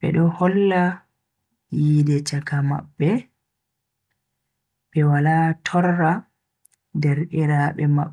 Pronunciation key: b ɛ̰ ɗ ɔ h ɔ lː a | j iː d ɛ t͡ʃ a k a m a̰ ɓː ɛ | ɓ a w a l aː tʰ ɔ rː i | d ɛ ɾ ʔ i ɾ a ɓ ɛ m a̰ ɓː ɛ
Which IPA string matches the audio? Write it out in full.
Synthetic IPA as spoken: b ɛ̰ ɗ ɔ h ɔ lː a | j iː d ɛ t͡ʃ a k a m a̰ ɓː ɛ | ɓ ɛ w a l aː tʰ ɔ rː a | d ɛ ɾ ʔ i ɾ a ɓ ɛ m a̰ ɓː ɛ